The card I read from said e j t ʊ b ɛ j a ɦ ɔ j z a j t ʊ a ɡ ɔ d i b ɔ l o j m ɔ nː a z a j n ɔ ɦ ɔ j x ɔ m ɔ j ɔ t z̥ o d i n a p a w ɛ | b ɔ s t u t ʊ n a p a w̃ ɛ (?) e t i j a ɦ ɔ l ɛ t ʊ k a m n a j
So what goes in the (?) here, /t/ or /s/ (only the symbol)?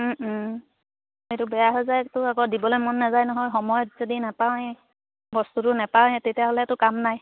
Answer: t